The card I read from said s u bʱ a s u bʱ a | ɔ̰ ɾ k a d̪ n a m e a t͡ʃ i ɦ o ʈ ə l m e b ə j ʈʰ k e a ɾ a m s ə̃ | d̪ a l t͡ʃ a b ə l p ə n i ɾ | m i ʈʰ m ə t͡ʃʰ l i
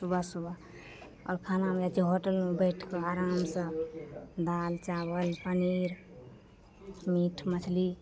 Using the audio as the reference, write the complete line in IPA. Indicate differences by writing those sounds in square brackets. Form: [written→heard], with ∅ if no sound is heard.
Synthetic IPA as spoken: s u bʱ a s u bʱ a | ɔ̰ ɾ [k→kʰ] a [d̪→∅] n a m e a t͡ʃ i ɦ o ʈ ə l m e b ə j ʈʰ k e a ɾ a m s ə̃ | d̪ a l t͡ʃ a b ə l p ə n i ɾ | m i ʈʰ m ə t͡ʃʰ l i